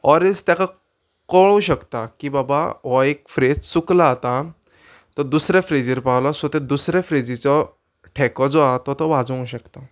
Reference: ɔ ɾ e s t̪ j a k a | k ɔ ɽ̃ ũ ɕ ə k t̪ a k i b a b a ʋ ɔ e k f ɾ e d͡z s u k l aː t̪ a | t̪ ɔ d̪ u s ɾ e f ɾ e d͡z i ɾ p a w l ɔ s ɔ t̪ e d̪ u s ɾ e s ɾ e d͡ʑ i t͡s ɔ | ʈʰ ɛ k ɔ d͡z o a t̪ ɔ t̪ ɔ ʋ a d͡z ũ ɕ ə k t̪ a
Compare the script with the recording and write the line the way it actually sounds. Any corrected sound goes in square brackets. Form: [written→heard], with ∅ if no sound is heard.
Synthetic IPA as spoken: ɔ ɾ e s t̪ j a k a | k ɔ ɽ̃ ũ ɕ ə k t̪ a k i b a b a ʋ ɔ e k f ɾ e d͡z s u k l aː t̪ a | t̪ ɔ d̪ u s ɾ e f ɾ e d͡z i ɾ p a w l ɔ s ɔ t̪ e d̪ u s ɾ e [s→f] ɾ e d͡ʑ i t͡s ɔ | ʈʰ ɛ k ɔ d͡z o a t̪ ɔ t̪ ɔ ʋ a d͡z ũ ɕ ə k t̪ a